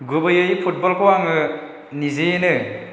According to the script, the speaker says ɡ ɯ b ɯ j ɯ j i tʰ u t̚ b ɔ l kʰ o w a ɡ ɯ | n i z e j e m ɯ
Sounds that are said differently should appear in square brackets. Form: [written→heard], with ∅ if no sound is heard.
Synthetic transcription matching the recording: ɡ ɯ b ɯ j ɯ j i [tʰ→pʰ] u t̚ b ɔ l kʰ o w a [ɡ→ŋ] ɯ | n i z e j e [m→n] ɯ